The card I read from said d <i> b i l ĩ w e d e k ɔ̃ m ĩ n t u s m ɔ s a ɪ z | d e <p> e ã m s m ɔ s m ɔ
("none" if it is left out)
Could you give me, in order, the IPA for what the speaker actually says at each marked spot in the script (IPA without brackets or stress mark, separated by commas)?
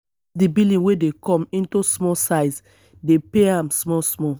i, p